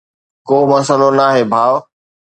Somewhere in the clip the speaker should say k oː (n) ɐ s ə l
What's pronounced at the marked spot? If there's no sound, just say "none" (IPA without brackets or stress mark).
m